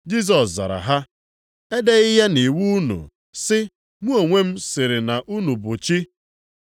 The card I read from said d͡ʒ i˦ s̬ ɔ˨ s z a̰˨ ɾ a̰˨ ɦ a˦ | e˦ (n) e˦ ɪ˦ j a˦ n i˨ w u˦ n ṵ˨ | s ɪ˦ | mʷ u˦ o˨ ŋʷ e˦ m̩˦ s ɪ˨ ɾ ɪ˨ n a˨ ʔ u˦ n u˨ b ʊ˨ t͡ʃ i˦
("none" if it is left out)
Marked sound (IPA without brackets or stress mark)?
d